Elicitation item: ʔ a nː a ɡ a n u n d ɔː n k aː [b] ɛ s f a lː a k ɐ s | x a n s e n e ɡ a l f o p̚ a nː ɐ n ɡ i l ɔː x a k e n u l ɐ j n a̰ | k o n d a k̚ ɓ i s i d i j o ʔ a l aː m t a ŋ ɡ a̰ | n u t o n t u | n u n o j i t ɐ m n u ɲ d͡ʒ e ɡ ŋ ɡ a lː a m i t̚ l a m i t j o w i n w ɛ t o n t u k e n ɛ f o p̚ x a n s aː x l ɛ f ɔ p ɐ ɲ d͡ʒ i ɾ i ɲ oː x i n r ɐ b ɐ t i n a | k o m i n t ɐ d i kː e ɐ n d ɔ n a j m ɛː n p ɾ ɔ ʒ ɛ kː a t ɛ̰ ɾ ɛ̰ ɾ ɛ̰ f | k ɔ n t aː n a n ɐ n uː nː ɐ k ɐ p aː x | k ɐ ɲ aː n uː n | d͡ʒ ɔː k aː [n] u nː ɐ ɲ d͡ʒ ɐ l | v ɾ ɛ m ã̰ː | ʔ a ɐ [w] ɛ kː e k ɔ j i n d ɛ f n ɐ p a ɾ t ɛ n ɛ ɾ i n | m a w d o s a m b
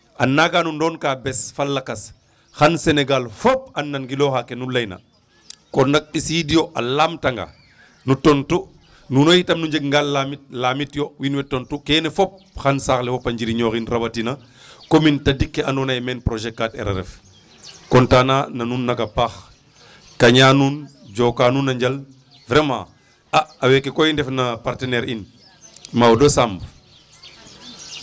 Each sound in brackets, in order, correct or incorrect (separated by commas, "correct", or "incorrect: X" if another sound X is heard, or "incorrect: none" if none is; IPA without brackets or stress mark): correct, correct, correct